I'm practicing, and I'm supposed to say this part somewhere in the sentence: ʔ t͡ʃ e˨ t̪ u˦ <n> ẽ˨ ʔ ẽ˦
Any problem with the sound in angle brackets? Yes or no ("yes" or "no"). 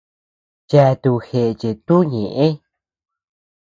yes